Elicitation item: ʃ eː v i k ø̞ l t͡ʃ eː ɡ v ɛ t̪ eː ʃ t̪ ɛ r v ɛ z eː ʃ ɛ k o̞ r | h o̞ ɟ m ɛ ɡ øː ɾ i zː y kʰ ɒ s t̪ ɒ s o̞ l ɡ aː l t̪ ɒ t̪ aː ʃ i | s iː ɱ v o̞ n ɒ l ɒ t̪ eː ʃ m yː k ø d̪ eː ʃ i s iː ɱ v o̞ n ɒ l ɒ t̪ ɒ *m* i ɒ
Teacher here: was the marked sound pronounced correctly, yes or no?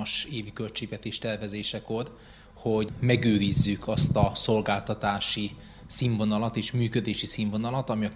yes